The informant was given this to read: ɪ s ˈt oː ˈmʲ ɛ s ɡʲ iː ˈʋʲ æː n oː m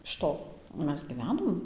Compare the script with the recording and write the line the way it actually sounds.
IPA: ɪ ʃ ˈt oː ˈmʲ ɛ s ɡʲ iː ˈʋʲ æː n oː m